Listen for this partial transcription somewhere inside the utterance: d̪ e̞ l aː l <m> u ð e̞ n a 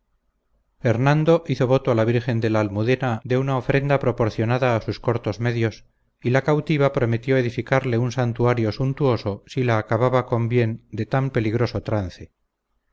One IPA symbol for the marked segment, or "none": m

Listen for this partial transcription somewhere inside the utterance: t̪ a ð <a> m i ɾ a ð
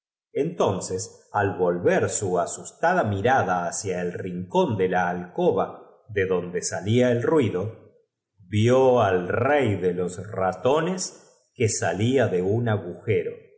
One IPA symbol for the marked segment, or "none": a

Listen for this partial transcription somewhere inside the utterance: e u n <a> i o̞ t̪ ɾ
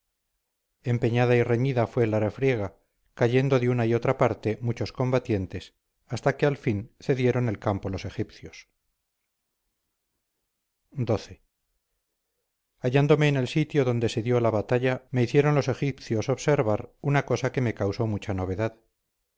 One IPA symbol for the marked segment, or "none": a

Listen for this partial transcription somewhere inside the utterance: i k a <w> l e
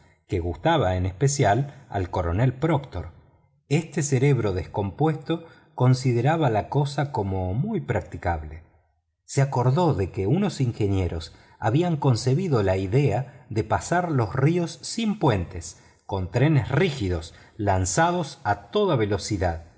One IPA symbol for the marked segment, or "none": β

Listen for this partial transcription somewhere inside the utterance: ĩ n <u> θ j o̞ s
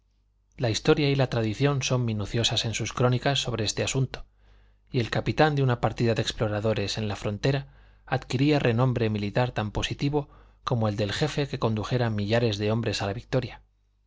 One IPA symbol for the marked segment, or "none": u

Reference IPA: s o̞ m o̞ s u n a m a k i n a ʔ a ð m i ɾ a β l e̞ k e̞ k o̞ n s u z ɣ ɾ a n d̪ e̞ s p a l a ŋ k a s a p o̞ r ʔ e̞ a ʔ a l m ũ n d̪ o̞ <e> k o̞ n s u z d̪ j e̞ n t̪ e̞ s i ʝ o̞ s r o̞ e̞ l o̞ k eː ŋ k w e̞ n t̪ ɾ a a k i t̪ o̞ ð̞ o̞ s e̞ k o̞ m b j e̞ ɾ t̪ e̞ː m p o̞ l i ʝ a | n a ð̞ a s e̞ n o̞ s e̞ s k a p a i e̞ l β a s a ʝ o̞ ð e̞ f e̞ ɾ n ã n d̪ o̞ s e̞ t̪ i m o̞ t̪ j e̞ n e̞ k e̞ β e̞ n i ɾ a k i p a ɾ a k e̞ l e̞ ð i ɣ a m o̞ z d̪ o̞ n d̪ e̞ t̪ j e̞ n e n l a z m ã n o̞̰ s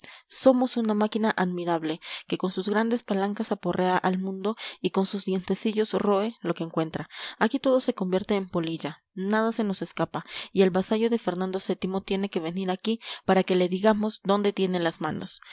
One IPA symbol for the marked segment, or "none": i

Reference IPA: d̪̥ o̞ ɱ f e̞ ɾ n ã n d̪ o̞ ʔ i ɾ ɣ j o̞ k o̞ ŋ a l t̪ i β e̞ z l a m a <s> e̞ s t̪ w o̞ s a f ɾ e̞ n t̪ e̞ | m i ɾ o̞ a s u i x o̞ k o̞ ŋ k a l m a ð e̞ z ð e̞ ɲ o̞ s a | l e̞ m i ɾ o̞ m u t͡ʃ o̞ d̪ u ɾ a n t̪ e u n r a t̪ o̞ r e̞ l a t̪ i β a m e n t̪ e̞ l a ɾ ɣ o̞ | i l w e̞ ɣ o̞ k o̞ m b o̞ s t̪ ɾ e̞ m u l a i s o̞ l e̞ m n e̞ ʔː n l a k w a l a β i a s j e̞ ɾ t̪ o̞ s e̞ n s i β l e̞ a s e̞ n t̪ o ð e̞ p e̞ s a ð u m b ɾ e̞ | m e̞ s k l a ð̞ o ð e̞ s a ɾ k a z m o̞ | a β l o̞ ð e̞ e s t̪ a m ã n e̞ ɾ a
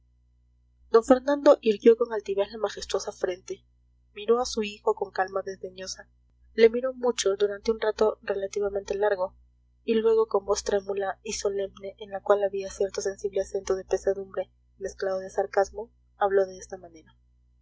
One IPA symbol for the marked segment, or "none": x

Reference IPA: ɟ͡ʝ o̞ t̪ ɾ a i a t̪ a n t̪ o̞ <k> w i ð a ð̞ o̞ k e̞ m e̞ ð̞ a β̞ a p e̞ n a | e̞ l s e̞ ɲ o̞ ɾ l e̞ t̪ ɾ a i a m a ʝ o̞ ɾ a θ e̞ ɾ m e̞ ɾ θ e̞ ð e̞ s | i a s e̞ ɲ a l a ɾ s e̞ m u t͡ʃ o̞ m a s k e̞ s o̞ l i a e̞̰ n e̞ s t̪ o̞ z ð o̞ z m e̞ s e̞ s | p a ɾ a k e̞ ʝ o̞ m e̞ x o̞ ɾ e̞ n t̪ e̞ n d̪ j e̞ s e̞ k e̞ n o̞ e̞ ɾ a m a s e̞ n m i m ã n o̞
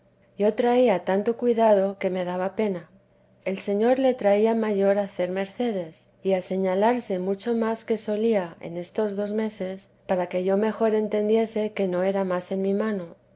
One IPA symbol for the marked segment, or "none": k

